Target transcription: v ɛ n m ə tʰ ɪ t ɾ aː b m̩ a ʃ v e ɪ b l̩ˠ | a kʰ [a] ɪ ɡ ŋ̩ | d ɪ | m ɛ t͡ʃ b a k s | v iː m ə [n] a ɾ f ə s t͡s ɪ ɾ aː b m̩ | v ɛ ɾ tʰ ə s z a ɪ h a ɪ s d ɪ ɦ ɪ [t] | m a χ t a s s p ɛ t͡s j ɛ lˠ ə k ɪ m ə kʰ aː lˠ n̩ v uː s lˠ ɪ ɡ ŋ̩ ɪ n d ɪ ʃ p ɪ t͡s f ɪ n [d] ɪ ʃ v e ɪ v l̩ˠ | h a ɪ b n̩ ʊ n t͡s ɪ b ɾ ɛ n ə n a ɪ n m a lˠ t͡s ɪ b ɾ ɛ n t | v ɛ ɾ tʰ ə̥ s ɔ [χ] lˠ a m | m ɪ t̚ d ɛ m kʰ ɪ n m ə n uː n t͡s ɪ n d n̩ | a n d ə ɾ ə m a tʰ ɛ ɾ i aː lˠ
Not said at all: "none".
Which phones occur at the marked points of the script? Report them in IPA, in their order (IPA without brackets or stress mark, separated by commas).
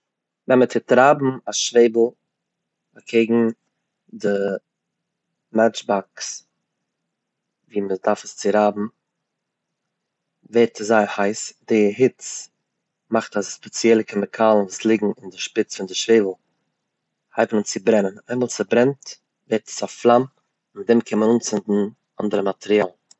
e, d, t͡s, d, f